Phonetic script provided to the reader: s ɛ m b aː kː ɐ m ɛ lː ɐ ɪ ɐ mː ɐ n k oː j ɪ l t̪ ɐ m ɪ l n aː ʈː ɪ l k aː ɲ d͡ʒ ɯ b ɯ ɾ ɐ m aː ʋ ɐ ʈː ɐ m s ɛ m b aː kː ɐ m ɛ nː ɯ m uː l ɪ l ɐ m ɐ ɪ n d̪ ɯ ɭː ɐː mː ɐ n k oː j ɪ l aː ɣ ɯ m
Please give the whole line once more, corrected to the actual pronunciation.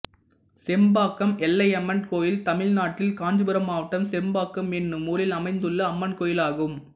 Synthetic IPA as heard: s ɛ m b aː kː ɐ m ɛ lː ɐ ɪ ɐ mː ɐ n k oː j ɪ l t̪ ɐ m ɪ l n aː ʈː ɪ l k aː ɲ d͡ʒ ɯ b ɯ ɾ ɐ m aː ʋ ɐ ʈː ɐ m s ɛ m b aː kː ɐ m ɛ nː ɯ m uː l ɪ l ɐ m ɐ ɪ n d̪ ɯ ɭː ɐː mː ɐ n k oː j ɪ l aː ɣ ɯ m